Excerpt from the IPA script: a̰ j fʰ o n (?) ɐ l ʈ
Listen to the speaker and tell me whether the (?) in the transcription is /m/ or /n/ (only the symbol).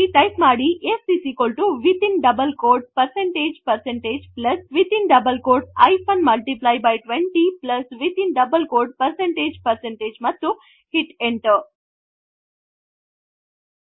m